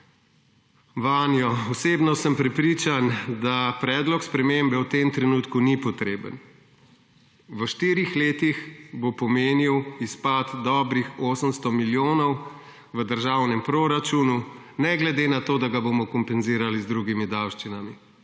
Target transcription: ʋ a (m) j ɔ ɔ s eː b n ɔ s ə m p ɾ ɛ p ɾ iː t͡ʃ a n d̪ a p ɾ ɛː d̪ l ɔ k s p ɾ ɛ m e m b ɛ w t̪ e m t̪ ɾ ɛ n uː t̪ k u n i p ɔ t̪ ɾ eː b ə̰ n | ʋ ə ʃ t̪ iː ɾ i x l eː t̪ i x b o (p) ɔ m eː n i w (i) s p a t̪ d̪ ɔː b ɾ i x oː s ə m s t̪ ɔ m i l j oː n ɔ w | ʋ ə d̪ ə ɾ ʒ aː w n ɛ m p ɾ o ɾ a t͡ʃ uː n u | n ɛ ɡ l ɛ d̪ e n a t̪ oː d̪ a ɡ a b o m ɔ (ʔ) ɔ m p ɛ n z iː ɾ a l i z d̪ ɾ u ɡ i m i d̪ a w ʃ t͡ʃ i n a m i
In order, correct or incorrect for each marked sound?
incorrect: n, correct, correct, incorrect: k

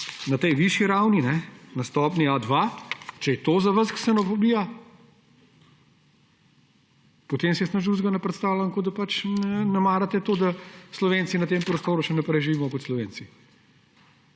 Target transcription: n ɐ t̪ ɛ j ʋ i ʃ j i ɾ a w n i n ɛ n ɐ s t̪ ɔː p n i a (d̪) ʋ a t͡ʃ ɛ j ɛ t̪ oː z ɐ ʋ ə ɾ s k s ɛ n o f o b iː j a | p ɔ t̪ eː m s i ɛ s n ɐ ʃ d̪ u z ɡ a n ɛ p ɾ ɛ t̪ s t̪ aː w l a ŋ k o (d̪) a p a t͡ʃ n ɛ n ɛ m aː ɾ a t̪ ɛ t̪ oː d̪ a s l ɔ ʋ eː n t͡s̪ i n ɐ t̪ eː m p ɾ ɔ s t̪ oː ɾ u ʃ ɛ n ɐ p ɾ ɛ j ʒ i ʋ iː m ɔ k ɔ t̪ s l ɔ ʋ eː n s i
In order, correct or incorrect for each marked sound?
correct, correct

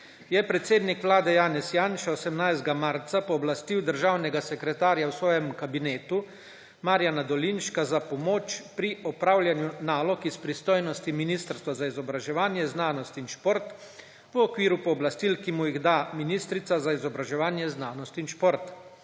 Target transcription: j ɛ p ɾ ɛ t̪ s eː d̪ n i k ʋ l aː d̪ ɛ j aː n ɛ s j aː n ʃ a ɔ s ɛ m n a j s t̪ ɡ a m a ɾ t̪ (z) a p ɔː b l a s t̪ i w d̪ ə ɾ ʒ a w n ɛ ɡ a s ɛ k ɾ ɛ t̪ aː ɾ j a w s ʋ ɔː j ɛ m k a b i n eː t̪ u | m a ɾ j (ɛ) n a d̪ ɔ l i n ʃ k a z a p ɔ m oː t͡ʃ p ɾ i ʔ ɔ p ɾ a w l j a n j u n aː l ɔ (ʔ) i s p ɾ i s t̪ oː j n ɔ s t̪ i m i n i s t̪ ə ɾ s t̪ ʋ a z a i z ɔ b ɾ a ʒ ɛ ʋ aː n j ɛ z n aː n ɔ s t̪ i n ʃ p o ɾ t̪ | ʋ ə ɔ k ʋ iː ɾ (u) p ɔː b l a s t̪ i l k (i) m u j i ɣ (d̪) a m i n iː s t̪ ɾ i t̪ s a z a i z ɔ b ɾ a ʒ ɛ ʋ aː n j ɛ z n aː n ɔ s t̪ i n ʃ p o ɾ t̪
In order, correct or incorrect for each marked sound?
incorrect: s, incorrect: a, incorrect: k, correct, correct, correct

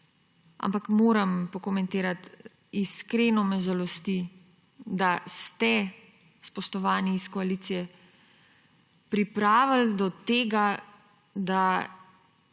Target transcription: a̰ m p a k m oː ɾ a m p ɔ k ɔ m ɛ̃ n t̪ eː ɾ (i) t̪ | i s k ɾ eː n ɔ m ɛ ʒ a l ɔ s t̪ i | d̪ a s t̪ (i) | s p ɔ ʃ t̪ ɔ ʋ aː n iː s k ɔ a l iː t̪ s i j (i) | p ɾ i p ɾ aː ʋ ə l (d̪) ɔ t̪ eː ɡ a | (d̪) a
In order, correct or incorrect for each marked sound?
incorrect: a, incorrect: ɛ, incorrect: ɛ, correct, correct

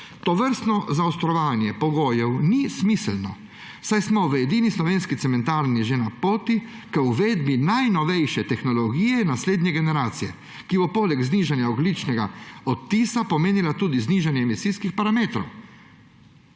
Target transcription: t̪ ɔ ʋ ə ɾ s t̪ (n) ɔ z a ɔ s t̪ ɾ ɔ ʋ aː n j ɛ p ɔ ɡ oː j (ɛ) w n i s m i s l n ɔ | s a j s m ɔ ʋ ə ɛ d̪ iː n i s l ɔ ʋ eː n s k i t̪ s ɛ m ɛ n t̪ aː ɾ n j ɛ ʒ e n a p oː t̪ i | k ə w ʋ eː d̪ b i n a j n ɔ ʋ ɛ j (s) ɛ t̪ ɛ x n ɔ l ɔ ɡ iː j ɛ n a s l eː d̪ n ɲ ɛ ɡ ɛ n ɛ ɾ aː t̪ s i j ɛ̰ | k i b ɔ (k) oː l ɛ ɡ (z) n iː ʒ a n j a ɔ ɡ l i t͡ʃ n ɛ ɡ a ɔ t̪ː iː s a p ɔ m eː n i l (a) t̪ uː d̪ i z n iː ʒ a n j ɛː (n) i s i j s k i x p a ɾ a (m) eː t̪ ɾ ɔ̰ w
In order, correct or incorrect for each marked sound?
correct, correct, incorrect: ʃ, incorrect: p, correct, correct, incorrect: m, correct

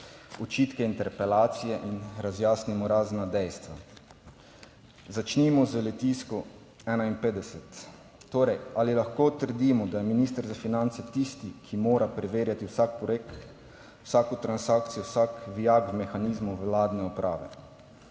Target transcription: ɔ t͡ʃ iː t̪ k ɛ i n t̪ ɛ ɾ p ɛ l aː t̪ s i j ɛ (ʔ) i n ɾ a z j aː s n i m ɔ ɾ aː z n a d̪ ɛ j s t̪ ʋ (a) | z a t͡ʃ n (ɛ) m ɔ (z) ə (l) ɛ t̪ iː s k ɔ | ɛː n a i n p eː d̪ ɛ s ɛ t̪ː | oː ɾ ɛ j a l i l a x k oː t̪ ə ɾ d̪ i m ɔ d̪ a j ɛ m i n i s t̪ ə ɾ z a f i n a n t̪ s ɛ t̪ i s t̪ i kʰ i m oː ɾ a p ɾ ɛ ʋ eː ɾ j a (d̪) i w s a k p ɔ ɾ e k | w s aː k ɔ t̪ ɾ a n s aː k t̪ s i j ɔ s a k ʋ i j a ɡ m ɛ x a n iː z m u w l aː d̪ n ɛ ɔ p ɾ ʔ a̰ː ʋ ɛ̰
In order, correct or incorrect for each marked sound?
correct, correct, incorrect: i, correct, correct, incorrect: t̪

